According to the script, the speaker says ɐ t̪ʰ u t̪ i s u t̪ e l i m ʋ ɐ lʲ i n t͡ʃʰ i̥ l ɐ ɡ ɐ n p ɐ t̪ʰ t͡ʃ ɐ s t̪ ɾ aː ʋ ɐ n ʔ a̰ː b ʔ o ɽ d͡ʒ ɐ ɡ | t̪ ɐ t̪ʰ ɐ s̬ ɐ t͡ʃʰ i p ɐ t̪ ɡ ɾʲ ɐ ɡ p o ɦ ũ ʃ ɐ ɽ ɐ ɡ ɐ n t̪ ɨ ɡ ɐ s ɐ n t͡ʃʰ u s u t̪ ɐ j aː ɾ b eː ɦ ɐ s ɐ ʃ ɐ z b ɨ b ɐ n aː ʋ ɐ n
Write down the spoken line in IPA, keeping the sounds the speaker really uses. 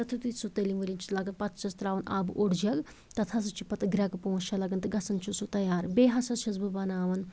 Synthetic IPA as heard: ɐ t̪ʰ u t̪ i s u t̪ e l i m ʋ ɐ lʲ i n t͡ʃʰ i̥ l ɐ ɡ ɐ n p ɐ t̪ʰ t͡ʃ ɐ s t̪ ɾ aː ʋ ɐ n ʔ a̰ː b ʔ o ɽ d͡ʒ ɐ ɡ | t̪ ɐ t̪ʰ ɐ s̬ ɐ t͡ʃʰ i p ɐ t̪ ɡ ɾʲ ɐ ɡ p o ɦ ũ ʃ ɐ l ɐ ɡ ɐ n t̪ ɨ ɡ ɐ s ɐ n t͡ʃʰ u s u t̪ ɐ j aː ɾ b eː ɦ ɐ s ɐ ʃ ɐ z b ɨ b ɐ n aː ʋ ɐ n